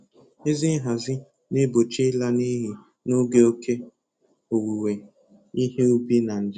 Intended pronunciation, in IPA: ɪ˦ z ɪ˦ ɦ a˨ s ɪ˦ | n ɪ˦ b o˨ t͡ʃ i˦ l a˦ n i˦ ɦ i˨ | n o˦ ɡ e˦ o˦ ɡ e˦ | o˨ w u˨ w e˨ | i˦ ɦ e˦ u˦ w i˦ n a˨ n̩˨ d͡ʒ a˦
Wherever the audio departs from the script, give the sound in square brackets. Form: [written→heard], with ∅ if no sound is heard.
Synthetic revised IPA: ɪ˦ z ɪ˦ ɦ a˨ [s→z] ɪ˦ | n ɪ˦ b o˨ t͡ʃ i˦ l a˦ n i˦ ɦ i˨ | n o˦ ɡ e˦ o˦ [ɡ→k] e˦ | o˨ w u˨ w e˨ | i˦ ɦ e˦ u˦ [w→b] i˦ n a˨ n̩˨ d͡ʒ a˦